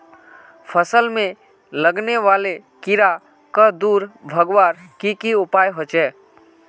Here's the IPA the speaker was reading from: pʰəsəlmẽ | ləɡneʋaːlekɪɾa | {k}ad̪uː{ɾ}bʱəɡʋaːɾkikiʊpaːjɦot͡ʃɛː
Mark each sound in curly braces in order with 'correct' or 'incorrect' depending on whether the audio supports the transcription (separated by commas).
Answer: correct, correct